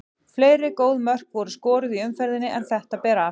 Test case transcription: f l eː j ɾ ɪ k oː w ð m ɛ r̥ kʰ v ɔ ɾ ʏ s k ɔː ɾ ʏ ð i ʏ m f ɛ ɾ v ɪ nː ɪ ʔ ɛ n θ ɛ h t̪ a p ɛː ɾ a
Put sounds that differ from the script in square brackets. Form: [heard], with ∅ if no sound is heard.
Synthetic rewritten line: f l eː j ɾ ɪ k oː w ð m [œ] r̥ [k] v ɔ ɾ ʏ s k ɔː ɾ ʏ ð i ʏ m f ɛ ɾ [ð] ɪ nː ɪ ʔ ɛ n θ ɛ h t̪ a p ɛː ɾ a